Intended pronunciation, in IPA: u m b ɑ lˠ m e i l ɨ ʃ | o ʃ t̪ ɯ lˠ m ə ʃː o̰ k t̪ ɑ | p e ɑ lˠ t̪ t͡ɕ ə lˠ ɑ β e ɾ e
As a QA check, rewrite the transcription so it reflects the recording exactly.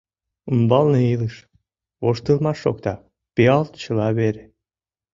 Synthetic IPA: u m b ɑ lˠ n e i l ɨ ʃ | o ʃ t̪ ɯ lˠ m ɑ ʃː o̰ k t̪ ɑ | p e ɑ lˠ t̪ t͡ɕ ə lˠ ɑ β e ɾ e